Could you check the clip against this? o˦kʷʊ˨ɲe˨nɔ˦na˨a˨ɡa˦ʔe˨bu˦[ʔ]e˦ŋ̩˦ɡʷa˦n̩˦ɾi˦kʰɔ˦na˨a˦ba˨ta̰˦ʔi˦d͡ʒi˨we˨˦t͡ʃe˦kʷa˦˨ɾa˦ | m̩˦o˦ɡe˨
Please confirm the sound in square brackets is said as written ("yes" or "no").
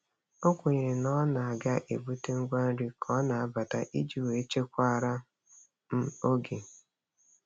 no